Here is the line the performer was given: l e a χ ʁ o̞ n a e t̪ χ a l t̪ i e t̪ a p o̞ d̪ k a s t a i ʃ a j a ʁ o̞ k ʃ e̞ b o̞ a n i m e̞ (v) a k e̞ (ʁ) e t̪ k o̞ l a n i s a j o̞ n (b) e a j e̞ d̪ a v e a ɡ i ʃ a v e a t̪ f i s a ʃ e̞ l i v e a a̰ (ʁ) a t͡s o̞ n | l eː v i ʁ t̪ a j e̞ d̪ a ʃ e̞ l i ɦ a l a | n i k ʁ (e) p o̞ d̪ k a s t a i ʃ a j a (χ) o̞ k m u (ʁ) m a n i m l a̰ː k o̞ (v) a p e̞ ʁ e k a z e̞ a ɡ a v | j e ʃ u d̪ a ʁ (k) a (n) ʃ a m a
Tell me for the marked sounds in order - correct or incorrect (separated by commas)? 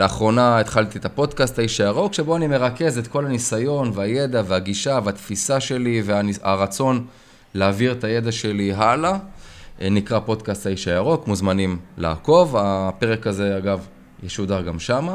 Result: incorrect, incorrect, incorrect, correct, incorrect, incorrect, incorrect, correct, incorrect, incorrect